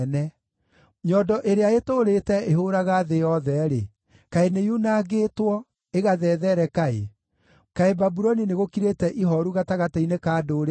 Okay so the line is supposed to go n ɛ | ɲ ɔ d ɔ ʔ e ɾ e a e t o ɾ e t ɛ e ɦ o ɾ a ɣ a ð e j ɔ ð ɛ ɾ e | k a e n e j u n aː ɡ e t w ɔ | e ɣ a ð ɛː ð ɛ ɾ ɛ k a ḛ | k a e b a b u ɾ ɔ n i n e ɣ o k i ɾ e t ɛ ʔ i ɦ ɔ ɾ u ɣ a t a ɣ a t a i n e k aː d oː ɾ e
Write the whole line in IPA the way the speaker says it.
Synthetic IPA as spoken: n ɛ | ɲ ɔ d ɔ ʔ e ɾ e a e t o ɾ e t ɛ e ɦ o ɾ a ɣ a ð e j ɔ ð ɛ ɾ e | k a e n e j u n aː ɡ e t w ɔ | e ɣ a ð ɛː ð ɛ ɾ ɛ k a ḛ | k a e b a b u ɾ ɔ n i n e ɣ o k i ɾ e t ɛ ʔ i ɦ ɔ ɾ u ɣ a t a ɣ a t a i n e k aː d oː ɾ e